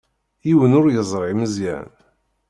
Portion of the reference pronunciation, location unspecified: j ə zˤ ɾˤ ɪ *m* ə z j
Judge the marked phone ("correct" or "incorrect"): correct